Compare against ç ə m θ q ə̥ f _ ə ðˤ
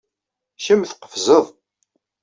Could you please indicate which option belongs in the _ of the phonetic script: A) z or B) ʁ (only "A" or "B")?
A